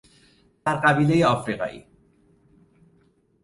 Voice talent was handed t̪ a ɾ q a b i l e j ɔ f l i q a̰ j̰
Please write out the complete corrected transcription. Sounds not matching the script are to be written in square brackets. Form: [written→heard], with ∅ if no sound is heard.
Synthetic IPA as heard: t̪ a ɾ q a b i l e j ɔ f [l→ɾ] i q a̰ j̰